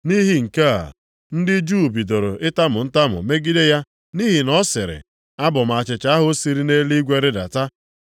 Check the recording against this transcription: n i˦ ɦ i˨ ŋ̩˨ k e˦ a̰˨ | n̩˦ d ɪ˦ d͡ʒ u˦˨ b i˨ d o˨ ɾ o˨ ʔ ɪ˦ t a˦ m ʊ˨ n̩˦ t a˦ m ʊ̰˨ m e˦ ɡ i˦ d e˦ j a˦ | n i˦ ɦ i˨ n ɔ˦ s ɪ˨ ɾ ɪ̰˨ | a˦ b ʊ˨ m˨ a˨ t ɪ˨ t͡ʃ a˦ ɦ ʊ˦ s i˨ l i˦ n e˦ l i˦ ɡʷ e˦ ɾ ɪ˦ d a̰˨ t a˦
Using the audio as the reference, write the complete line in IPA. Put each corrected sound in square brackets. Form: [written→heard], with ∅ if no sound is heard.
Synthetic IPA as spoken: n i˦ ɦ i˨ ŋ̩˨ k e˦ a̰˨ | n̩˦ d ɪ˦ d͡ʒ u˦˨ b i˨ d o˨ ɾ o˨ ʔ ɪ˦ t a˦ m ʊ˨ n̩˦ t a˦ m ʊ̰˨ m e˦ ɡ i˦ d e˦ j a˦ | n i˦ ɦ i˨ n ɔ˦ s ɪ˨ ɾ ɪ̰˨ | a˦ b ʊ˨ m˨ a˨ [t→t͡ʃ] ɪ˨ t͡ʃ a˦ ɦ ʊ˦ s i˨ [l→ɾ] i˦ n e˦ l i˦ ɡʷ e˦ ɾ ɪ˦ d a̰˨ t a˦